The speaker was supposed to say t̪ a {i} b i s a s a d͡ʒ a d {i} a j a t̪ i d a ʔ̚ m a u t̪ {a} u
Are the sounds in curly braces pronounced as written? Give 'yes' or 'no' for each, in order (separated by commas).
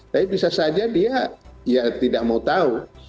yes, yes, yes